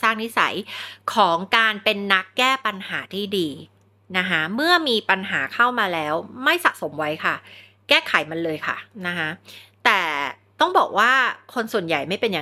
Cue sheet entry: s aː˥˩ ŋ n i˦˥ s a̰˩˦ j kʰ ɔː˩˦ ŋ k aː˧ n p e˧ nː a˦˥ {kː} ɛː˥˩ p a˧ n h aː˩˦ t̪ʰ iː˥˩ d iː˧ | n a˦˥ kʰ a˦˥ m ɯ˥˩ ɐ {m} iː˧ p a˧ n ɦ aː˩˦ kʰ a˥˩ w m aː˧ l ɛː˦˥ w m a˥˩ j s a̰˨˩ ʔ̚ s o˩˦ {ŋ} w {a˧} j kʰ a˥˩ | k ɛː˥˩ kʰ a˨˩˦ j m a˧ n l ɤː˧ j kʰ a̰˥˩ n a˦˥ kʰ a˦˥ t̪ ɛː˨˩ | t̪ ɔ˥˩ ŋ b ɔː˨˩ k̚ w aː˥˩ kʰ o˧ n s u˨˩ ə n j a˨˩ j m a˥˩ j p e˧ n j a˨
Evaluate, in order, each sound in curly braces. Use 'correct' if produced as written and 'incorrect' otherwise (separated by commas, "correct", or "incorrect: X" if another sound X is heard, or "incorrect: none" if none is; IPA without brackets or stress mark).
correct, correct, incorrect: m, incorrect: a˦˥